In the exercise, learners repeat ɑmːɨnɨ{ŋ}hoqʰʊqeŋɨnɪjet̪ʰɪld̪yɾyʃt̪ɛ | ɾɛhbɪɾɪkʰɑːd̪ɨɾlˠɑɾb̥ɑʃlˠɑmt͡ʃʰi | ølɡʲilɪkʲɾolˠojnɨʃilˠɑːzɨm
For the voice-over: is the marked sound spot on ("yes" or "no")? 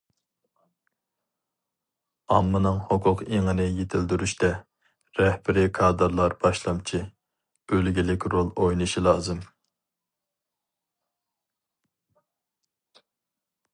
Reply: yes